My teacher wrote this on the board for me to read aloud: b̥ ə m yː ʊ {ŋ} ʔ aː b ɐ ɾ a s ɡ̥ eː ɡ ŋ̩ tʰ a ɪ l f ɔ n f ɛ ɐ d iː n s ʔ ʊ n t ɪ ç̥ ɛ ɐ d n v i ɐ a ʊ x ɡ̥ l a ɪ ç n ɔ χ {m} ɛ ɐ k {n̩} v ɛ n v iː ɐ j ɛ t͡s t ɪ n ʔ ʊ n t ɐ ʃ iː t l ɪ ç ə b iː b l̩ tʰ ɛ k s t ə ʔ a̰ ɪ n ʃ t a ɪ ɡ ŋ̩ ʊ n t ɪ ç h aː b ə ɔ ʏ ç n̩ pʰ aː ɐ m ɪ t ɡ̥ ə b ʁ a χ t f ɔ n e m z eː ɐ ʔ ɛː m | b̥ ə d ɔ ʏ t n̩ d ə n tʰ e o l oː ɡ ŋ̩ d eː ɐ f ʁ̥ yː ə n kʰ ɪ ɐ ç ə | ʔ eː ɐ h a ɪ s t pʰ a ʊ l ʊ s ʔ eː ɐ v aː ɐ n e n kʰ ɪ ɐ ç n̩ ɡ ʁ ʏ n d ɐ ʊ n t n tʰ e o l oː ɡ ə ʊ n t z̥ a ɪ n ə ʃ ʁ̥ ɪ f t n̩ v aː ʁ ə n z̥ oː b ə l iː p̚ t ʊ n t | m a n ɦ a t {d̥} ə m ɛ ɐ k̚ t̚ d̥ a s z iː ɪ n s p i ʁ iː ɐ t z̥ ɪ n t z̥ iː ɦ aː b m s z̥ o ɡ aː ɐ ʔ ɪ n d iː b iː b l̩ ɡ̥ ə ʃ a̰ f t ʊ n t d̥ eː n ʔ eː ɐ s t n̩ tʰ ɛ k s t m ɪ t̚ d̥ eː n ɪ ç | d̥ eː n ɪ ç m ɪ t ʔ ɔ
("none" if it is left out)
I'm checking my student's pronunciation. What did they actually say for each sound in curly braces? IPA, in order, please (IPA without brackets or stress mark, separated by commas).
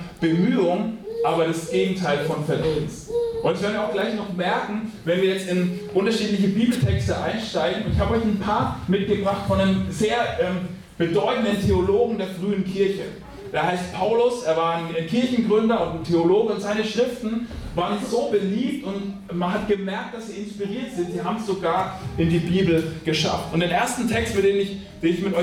ŋ, m, ŋ̩, ɡ̥